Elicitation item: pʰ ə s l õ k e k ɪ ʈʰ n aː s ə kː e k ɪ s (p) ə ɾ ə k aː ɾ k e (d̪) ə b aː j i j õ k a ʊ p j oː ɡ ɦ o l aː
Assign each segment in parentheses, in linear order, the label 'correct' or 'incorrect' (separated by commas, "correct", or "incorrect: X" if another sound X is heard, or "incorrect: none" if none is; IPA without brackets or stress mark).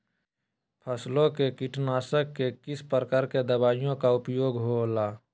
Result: correct, correct